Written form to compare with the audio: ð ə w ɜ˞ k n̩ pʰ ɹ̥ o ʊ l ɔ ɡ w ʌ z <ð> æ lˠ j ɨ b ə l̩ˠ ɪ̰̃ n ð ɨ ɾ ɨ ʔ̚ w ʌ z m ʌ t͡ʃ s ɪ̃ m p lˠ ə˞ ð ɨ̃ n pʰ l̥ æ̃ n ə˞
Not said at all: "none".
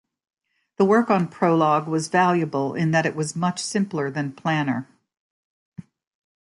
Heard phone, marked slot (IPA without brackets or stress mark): v